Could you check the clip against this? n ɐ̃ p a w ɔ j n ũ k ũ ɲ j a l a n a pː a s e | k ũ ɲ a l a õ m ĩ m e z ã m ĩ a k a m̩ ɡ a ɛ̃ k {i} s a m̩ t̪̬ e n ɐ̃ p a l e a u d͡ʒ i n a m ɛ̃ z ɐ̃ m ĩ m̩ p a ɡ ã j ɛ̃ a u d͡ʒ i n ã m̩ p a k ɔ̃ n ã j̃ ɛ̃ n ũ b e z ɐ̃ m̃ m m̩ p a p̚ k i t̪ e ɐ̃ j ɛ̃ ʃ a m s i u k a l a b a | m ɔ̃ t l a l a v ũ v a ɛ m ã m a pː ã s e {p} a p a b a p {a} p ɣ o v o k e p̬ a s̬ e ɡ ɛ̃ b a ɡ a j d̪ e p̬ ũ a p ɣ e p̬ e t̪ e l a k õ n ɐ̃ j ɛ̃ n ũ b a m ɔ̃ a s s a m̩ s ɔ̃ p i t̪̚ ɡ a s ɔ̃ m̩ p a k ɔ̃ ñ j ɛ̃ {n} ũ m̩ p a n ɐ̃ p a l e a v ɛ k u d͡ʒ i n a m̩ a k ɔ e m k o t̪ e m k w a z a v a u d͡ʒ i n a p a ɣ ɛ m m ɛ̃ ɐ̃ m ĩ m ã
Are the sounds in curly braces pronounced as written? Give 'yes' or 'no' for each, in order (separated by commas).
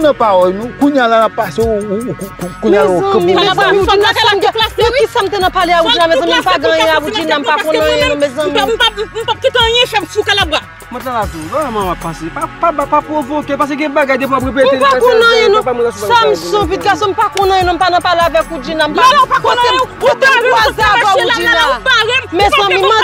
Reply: yes, yes, yes, yes